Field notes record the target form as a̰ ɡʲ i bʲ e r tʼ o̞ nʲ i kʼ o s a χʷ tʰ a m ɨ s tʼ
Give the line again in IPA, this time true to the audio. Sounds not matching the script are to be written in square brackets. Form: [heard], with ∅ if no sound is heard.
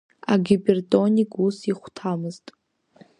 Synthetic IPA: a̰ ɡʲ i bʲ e r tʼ o̞ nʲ i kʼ [u] s [i] χʷ tʰ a m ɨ [z] tʼ